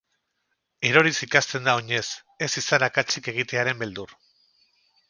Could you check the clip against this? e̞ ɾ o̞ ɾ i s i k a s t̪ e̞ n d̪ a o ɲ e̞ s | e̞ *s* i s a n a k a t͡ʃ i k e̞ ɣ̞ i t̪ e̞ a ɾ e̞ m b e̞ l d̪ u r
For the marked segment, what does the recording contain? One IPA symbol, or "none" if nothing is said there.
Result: s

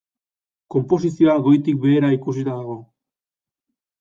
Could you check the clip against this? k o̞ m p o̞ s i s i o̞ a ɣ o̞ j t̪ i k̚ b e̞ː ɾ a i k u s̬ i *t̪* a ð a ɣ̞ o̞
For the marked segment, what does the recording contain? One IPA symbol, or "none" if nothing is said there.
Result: t̪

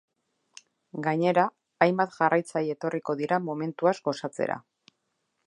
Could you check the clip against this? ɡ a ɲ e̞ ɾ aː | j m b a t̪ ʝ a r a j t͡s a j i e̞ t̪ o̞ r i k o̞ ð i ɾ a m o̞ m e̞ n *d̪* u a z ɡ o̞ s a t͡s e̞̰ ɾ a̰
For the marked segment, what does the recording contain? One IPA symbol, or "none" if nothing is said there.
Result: t̪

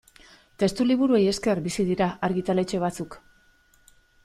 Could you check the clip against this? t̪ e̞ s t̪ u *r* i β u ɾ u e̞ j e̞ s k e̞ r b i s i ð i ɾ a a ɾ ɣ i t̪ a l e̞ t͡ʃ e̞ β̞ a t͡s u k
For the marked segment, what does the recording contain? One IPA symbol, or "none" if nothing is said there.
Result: l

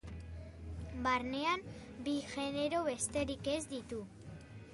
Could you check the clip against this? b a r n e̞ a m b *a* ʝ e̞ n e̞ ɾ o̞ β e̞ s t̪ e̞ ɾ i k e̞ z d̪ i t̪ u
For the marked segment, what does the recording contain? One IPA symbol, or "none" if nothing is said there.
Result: i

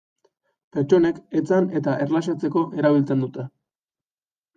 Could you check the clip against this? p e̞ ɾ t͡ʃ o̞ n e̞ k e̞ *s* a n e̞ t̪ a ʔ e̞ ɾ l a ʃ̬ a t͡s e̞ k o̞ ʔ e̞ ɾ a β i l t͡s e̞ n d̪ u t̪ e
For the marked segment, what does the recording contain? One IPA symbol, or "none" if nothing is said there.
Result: t͡s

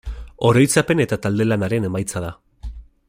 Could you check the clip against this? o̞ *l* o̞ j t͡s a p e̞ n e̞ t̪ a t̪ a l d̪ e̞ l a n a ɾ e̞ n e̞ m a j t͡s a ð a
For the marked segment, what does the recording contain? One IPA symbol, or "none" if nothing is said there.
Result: ɾ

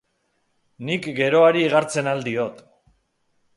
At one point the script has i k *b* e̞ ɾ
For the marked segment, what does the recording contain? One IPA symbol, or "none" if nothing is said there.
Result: ɡ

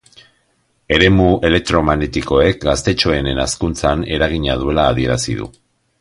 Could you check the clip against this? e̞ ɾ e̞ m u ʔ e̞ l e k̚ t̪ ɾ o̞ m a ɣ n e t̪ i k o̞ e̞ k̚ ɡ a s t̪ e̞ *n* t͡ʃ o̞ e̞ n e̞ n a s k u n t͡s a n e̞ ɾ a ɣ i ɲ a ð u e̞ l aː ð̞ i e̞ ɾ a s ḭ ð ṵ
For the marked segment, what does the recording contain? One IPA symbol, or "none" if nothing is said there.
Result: none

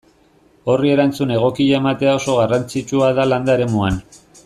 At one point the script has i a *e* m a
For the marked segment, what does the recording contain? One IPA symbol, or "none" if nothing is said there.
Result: e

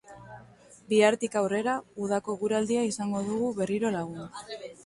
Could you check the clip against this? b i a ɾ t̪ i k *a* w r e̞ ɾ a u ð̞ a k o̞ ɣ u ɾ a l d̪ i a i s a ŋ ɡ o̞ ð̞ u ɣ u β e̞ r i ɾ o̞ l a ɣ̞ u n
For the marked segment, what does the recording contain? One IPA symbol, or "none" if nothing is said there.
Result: a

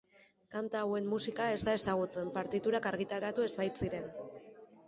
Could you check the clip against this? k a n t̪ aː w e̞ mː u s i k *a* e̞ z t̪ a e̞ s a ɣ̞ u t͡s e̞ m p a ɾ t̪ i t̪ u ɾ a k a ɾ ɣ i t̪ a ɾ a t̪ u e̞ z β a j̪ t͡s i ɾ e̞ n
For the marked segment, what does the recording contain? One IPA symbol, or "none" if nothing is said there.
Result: a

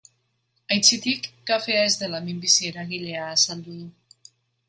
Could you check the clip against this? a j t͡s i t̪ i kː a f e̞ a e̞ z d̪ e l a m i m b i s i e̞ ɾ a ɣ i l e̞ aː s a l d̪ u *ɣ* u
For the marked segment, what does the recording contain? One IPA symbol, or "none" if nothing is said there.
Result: ð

